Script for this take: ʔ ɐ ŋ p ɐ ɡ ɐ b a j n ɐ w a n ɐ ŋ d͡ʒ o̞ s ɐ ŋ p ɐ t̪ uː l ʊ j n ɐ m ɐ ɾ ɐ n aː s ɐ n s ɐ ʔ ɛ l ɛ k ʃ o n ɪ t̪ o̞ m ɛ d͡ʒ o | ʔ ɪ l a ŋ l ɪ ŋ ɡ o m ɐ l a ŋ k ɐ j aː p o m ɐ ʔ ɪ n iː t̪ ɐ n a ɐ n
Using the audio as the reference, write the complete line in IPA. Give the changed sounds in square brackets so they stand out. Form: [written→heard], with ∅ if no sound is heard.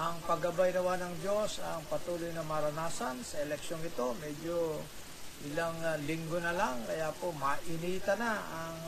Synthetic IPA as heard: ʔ ɐ ŋ p ɐ ɡ ɐ b a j n ɐ w a n ɐ ŋ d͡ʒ o̞ s ɐ ŋ p ɐ t̪ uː l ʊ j n ɐ m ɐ ɾ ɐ n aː s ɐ n s ɐ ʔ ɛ l ɛ k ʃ o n ɪ t̪ o̞ m ɛ d͡ʒ o | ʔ ɪ l a ŋ l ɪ ŋ ɡ o [m→n] ɐ l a ŋ k ɐ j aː p o m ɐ ʔ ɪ n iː t̪ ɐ n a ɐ [n→ŋ]